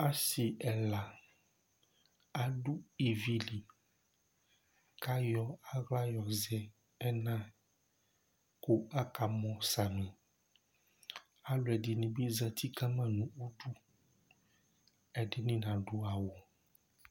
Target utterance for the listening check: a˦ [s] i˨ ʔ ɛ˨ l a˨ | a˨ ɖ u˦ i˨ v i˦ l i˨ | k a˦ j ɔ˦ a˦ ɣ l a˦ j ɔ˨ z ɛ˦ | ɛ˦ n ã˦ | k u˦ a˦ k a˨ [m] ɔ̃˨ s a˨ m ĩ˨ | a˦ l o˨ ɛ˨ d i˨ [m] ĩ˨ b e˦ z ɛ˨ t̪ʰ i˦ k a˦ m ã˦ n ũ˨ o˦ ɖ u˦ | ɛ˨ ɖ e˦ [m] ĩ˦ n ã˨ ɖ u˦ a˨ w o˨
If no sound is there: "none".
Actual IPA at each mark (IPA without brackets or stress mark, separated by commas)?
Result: s, m, n, n